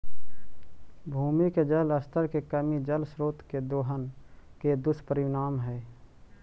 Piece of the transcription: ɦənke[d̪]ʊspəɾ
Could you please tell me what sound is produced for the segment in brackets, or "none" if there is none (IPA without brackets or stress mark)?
d̪